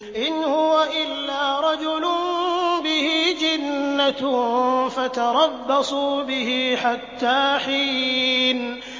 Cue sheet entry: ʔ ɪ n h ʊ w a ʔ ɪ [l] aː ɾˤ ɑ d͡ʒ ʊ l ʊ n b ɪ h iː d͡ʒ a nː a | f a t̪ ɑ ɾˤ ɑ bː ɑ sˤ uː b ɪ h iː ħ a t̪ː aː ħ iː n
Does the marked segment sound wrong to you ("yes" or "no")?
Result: yes